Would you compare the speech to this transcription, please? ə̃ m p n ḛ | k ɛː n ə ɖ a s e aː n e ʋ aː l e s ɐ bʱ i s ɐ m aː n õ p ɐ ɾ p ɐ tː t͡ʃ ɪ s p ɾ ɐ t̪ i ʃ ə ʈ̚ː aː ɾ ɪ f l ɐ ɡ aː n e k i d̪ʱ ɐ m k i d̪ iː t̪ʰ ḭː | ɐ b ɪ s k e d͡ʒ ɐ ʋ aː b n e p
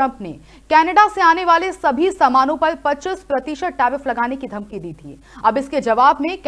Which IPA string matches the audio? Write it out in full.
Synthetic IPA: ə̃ m p n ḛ | k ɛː n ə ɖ a s e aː n e ʋ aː l e s ɐ bʱ i s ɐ m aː n õ p ɐ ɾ p ɐ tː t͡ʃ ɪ s p ɾ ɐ t̪ i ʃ ə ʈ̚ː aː ɾ ɪ f l ɐ ɡ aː n e k i d̪ʱ ɐ m k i d̪ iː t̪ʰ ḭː | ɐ b ɪ s k e d͡ʒ ɐ ʋ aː b n e k